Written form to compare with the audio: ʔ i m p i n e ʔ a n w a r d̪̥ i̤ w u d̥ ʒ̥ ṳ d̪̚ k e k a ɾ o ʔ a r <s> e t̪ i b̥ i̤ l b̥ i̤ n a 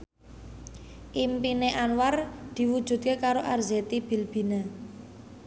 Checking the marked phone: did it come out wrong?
yes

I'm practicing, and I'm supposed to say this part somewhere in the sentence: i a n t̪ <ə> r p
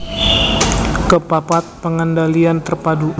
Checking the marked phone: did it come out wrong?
no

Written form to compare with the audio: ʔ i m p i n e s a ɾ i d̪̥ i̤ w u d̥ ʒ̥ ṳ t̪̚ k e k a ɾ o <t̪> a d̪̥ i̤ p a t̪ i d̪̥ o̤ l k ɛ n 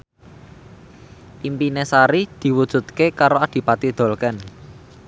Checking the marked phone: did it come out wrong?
yes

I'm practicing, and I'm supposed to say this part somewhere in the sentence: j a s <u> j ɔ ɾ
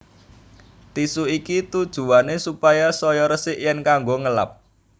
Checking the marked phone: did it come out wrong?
yes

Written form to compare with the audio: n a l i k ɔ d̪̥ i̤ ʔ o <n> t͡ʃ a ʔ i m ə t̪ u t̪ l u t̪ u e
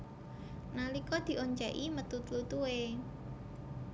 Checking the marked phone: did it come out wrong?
yes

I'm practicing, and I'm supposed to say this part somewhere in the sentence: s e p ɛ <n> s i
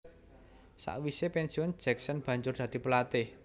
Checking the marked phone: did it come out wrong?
no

